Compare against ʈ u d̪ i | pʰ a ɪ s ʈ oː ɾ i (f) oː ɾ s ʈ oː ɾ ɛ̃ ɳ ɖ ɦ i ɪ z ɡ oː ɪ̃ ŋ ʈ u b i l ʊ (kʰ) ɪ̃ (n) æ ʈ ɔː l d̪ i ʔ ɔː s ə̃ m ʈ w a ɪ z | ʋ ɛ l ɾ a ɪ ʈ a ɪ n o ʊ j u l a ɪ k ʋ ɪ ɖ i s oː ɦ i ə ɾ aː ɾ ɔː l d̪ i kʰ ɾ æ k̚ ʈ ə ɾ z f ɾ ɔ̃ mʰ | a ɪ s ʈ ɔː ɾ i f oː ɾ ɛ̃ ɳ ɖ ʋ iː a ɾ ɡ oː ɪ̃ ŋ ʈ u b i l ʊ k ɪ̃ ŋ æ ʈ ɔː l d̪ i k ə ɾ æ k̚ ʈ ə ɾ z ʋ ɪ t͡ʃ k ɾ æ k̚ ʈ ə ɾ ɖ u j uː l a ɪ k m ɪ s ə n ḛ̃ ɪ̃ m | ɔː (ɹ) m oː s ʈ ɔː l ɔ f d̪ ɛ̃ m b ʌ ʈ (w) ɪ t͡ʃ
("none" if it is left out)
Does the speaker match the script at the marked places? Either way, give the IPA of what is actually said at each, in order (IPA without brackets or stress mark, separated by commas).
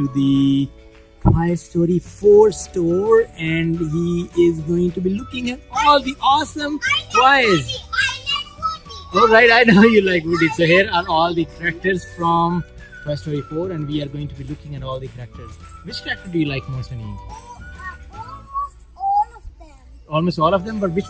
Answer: f, k, ŋ, l, ʋ